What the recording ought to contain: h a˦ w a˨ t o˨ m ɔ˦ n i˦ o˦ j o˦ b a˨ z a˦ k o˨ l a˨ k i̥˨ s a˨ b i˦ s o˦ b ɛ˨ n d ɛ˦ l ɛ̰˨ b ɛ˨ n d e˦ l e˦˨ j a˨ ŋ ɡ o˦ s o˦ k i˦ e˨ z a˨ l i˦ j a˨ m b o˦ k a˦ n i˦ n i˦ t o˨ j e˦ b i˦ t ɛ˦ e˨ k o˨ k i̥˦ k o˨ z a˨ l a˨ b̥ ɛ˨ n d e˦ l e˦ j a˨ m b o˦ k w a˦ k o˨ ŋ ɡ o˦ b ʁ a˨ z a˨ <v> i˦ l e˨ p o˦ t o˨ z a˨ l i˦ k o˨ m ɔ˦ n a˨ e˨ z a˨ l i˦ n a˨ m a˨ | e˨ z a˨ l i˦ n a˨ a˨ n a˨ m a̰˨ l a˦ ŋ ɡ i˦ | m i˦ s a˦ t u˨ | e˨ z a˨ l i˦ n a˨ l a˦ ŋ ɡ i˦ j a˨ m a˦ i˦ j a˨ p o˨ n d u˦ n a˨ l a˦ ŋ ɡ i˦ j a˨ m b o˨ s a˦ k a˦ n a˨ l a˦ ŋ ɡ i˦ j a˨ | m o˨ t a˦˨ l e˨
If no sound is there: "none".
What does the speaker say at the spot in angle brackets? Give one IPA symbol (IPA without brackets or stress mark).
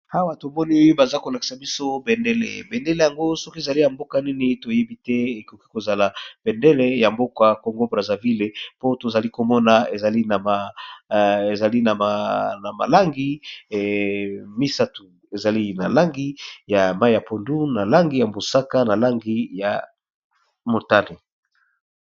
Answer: v